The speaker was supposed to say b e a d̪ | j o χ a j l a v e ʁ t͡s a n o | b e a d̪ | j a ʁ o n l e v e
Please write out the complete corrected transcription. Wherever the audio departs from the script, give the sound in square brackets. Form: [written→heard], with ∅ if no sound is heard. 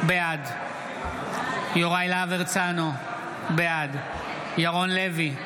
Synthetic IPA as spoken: b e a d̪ | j o [χ→ʁ] a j l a v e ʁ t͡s a n o | b e a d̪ | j a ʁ o n l e v [e→i]